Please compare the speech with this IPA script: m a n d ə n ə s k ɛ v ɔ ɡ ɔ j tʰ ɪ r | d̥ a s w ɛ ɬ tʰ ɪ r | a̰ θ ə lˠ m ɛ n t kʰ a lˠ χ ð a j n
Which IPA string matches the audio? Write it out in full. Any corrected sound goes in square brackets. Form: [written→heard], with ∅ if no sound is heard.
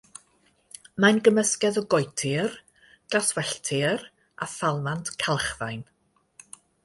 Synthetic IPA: m a n [d→ɡ] ə [n→m] ə s k ɛ [v→ð] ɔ ɡ ɔ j tʰ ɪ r | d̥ a s w ɛ ɬ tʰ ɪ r | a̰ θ [ə→a] lˠ m [ɛ→a] n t kʰ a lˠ χ ð a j n